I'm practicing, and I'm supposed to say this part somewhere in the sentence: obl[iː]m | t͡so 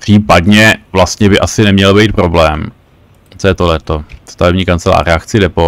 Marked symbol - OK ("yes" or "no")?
no